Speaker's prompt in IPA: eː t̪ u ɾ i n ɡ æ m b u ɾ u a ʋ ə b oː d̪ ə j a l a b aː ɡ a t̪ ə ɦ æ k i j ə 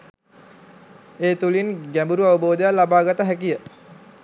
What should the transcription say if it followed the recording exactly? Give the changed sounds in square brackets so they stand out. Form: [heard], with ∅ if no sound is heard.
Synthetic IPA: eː t̪ u [l] i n ɡ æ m b u ɾ u a ʋ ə b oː d̪ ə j a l a b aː ɡ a t̪ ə ɦ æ k i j ə